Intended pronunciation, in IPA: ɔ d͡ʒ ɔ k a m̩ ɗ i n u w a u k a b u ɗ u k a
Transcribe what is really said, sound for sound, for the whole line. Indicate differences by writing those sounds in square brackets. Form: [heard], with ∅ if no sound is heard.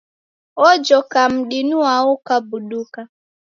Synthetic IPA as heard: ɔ d͡ʒ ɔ k a m̩ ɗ i n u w a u k a b u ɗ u k a